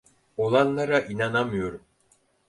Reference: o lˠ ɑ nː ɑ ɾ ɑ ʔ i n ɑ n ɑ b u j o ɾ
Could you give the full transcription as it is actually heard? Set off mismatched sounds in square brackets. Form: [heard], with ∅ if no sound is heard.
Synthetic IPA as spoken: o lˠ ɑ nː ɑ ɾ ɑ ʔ i n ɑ n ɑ [m] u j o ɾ

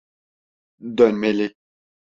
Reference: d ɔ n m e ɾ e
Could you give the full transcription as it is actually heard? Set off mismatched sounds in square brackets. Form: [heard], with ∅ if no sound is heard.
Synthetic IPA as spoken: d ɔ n m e [l] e

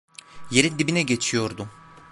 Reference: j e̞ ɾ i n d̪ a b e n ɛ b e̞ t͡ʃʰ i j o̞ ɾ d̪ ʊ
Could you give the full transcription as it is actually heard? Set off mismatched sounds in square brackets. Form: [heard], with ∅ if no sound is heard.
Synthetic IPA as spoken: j e̞ ɾ i n d̪ [i] b [i] n ɛ [ɟ] e̞ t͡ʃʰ i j o̞ ɾ d̪ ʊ

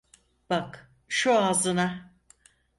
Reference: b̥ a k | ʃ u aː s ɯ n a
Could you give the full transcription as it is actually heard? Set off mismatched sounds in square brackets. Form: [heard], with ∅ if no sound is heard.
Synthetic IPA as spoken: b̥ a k | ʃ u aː [z] ɯ n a

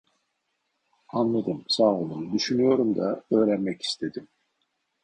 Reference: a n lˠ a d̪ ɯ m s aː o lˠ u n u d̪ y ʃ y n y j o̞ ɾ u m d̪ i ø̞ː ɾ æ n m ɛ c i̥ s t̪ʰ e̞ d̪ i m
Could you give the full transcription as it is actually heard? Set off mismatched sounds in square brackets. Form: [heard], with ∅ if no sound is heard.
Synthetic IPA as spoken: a n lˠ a d̪ ɯ m s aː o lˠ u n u d̪ y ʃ y n y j o̞ ɾ u m d̪ [a] ø̞ː ɾ æ n m ɛ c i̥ s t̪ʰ e̞ d̪ i m

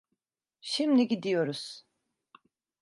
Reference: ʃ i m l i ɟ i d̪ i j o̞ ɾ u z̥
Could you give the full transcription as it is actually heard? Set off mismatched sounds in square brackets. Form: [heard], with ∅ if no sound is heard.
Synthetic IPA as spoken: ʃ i m l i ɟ i d̪ i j o̞ ɾ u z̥

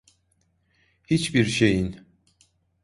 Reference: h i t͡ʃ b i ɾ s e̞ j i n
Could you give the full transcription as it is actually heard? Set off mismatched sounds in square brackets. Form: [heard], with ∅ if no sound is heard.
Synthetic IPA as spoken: h i t͡ʃ b i ɾ [ʃ] e̞ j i n

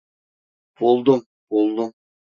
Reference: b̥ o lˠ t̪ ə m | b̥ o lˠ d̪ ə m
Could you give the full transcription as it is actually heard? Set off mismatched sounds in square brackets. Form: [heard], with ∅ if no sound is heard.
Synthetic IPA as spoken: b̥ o lˠ [d̪] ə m | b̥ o lˠ d̪ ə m

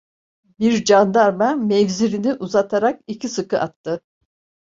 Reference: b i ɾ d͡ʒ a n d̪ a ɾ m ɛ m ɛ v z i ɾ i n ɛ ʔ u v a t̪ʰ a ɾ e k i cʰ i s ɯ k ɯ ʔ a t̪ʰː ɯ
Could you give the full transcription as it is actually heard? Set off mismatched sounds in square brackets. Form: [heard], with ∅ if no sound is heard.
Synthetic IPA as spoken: b i ɾ d͡ʒ a n d̪ a ɾ m [a] m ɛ v z i ɾ i n [i] ʔ u [z] a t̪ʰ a ɾ [a] k i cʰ i s ɯ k ɯ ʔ a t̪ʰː ɯ

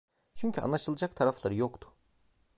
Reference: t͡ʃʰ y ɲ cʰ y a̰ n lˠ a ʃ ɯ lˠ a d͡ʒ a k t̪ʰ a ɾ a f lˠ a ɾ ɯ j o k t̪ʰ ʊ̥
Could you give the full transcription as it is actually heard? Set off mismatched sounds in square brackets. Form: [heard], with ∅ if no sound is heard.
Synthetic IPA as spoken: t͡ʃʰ y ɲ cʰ y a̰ n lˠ a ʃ ɯ lˠ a d͡ʒ a k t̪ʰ a ɾ a f lˠ a ɾ ɯ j o k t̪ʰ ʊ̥

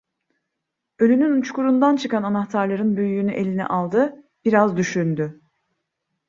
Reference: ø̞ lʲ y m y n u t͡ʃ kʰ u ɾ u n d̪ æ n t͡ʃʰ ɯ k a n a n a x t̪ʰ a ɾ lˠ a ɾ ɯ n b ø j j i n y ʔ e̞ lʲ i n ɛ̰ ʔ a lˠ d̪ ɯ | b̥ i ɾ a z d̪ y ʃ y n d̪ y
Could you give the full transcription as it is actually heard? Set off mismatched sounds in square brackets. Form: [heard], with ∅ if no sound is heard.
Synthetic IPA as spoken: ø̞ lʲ y [n] y n u t͡ʃ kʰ u ɾ u n d̪ [a] n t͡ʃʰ ɯ k a n a n a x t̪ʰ a ɾ lˠ a ɾ ɯ n b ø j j [y] n y ʔ e̞ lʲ i n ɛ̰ ʔ a lˠ d̪ ɯ | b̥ i ɾ a z d̪ y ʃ y n d̪ y

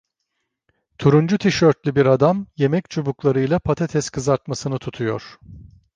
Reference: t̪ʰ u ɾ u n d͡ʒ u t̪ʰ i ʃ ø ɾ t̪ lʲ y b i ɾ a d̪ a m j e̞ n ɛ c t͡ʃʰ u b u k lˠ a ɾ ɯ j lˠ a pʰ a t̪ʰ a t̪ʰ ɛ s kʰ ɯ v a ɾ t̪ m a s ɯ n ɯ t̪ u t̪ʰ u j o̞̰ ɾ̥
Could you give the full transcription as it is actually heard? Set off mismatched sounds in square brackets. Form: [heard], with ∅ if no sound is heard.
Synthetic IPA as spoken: t̪ʰ u ɾ u n d͡ʒ u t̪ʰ i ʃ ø ɾ t̪ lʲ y b i ɾ a d̪ a m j e̞ [m] ɛ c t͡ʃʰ u b u k lˠ a ɾ ɯ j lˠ a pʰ a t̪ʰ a t̪ʰ ɛ s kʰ ɯ [z] a ɾ t̪ m a s ɯ n ɯ [t̪ʰ] u t̪ʰ u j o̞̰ ɾ̥

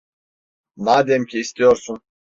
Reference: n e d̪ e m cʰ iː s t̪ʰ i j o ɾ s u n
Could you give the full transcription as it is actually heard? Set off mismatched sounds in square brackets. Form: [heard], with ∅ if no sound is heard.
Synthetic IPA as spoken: n [a] d̪ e m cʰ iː s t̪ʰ i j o ɾ s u n

